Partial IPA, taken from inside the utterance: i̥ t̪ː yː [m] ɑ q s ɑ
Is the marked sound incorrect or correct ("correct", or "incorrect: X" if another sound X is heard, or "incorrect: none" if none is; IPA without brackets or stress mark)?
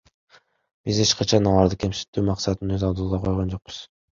correct